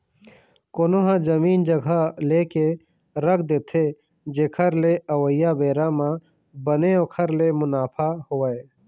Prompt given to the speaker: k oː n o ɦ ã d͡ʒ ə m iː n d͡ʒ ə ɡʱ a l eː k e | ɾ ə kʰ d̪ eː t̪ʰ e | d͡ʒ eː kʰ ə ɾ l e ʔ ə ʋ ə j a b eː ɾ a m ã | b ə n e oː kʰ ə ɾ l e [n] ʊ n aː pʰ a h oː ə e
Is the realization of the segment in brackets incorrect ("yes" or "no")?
yes